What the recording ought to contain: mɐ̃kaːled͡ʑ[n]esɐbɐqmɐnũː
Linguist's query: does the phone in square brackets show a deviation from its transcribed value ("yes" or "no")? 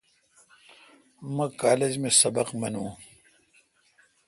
yes